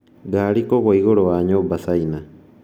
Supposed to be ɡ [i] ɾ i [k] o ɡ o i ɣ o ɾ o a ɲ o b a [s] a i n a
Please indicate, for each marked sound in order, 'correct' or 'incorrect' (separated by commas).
incorrect, correct, correct